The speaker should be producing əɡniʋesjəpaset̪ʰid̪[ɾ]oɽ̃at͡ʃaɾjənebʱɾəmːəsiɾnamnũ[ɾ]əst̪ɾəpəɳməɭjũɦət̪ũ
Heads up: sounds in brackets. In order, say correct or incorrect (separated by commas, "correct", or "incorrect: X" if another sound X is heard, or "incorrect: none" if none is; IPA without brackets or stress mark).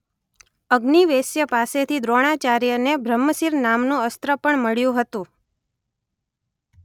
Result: correct, incorrect: none